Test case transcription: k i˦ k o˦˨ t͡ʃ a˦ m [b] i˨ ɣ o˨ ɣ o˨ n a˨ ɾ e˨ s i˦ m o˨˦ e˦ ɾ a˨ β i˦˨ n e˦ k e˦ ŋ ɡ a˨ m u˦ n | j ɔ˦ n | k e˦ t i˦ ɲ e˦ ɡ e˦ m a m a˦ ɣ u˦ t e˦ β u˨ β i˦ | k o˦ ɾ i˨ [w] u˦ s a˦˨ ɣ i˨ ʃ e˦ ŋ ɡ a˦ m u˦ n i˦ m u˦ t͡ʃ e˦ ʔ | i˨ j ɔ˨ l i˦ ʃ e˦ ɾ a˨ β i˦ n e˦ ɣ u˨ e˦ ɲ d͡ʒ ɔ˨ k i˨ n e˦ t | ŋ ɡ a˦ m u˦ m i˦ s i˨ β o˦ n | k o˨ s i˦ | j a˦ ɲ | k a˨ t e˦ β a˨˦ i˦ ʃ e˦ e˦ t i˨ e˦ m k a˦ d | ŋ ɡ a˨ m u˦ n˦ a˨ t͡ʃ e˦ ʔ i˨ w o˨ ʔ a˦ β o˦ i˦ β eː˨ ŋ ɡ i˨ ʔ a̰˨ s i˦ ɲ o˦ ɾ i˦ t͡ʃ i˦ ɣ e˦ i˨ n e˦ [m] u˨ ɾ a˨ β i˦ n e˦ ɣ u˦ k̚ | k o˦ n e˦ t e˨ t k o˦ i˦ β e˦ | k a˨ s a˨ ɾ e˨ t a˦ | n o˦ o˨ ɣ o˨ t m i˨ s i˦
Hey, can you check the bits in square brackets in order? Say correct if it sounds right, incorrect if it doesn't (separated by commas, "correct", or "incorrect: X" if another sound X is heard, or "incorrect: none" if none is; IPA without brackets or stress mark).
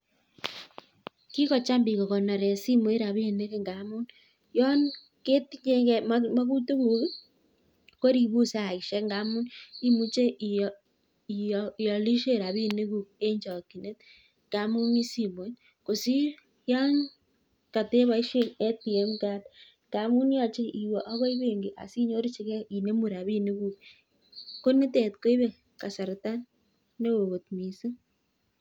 correct, incorrect: β, correct